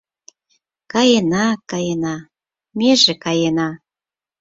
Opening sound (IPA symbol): k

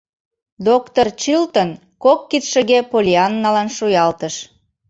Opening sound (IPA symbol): d̪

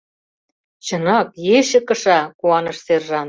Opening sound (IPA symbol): t͡ɕ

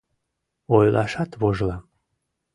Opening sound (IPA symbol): o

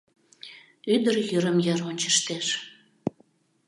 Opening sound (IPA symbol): y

